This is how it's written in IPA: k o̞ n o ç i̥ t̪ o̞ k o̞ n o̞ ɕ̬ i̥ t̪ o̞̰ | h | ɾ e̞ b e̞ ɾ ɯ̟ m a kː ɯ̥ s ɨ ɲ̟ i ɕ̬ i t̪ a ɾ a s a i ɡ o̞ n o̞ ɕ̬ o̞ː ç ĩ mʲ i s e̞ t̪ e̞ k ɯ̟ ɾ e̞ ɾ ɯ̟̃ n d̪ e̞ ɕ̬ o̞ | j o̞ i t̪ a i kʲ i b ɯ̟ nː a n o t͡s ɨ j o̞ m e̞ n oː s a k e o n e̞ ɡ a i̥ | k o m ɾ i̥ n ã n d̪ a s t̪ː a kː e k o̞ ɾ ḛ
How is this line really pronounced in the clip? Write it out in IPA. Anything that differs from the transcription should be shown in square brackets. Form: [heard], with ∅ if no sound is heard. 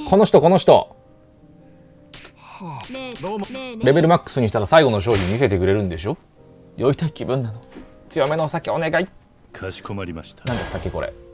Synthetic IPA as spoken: k o̞ n o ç i̥ t̪ o̞ k o̞ n o̞ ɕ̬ i̥ t̪ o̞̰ | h | ɾ e̞ b e̞ ɾ ɯ̟ m a kː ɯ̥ s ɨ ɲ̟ i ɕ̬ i t̪ a ɾ a s a i ɡ o̞ n o̞ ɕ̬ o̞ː ç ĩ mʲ i s e̞ t̪ e̞ k ɯ̟ ɾ e̞ ɾ ɯ̟̃ n d̪ e̞ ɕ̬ o̞ | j o̞ i t̪ a i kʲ i b [ɯ̟̃] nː a n o t͡s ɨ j o̞ m e̞ n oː s a k e o n e̞ ɡ a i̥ | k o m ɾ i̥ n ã n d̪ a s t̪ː a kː e k o̞ ɾ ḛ